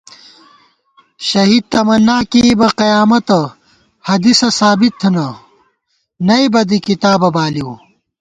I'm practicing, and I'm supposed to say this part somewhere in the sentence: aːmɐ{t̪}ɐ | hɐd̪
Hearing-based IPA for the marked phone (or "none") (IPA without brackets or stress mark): t̪